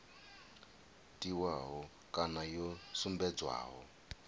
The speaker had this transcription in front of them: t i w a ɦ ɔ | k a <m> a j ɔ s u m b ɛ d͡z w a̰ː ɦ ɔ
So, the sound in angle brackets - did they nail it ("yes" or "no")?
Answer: no